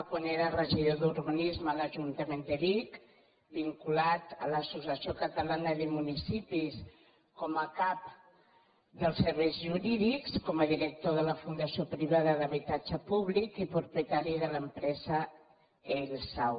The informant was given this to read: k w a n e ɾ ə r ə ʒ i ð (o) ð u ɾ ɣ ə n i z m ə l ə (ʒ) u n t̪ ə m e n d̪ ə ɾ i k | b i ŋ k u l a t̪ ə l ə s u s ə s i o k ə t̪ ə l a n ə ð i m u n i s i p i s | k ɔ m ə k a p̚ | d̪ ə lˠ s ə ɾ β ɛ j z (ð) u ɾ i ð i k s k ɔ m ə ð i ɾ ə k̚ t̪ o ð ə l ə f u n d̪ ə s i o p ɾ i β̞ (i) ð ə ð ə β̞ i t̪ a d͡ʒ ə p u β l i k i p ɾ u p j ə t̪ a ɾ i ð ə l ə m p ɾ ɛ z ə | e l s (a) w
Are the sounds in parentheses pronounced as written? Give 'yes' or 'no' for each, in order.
yes, yes, no, no, yes

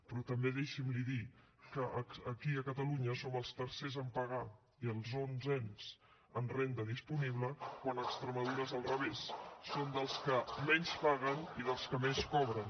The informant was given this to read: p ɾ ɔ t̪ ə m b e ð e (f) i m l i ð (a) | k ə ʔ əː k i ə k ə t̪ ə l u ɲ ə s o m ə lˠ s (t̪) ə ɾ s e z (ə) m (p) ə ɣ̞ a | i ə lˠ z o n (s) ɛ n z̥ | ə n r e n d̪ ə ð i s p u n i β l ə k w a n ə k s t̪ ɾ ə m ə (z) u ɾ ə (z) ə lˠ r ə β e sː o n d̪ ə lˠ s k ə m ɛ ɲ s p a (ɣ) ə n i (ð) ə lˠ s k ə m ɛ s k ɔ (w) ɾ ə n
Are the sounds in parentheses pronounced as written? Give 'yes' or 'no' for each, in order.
no, no, yes, yes, yes, no, no, yes, yes, yes, no

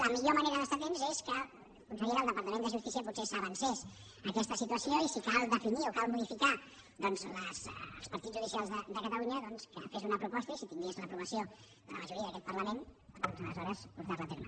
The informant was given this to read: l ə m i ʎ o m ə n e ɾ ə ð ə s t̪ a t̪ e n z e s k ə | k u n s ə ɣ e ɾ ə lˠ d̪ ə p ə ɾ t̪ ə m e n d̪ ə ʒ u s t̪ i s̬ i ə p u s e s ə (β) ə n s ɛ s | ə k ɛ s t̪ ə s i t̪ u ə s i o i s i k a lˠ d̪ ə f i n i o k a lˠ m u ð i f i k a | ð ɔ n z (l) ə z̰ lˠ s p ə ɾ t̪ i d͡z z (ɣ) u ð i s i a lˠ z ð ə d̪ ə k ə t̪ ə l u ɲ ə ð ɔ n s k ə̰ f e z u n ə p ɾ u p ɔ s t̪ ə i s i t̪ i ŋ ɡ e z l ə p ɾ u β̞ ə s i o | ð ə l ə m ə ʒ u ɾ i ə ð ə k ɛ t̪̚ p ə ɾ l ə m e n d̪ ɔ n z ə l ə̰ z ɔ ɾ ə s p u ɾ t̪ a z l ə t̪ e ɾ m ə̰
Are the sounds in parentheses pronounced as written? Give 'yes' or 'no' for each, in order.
yes, yes, no

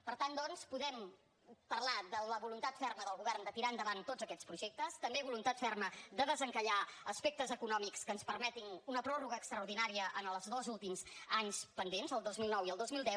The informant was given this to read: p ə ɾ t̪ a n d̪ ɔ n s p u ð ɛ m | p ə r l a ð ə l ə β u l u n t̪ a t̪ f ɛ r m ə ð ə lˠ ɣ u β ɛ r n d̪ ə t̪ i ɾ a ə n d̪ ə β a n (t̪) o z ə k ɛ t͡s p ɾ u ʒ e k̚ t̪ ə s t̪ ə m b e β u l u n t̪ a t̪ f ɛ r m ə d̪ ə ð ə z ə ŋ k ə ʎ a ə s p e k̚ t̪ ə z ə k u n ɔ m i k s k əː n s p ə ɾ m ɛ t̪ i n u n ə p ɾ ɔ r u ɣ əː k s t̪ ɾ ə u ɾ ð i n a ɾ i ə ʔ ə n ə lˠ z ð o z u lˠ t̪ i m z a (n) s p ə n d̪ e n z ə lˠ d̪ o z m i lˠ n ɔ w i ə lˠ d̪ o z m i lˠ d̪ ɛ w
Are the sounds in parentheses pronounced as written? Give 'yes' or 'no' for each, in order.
yes, no

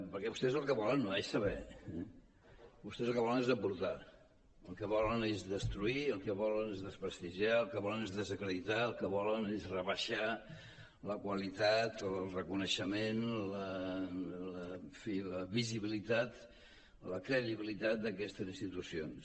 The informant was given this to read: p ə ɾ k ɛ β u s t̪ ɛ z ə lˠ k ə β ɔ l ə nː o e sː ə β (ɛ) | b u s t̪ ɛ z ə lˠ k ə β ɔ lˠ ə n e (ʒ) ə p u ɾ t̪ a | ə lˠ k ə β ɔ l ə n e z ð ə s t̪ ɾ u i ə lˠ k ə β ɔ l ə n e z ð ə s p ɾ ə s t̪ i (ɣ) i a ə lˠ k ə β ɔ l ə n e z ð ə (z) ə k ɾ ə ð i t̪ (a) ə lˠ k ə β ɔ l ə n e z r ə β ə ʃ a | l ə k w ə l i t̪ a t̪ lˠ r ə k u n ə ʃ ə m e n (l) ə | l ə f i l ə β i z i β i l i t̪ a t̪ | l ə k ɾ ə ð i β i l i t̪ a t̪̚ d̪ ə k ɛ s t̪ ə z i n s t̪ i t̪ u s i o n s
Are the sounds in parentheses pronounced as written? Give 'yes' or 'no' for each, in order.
yes, no, no, yes, yes, yes

